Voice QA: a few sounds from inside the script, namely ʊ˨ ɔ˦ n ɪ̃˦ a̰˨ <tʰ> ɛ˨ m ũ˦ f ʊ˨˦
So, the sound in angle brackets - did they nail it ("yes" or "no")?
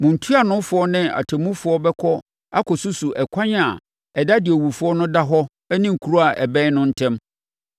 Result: yes